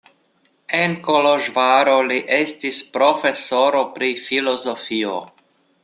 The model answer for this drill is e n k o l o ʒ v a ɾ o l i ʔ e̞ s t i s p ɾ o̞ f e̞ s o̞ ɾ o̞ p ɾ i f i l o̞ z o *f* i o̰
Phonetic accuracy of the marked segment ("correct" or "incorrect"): correct